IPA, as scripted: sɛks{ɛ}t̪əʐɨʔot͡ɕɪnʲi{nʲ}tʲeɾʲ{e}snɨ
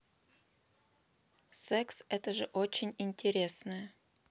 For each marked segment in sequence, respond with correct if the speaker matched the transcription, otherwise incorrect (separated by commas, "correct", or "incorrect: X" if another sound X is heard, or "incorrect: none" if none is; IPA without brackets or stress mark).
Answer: correct, correct, correct